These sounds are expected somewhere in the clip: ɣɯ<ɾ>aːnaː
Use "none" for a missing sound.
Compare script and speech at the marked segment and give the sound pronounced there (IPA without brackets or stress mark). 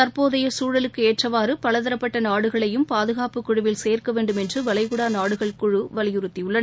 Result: ɽ